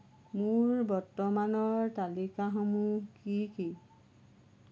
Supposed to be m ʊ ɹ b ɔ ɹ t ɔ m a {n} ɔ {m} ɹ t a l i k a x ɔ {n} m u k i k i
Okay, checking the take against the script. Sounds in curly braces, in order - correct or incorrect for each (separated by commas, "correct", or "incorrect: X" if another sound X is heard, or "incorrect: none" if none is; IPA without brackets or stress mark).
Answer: correct, incorrect: none, incorrect: none